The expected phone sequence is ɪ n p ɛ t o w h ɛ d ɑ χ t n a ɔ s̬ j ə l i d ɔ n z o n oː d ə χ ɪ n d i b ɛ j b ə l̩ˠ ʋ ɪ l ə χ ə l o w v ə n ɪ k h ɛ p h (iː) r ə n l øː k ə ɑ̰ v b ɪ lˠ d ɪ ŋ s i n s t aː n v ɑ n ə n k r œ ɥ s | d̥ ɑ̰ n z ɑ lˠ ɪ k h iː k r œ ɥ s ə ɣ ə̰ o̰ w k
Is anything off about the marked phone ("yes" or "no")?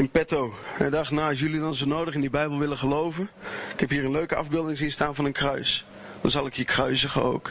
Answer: no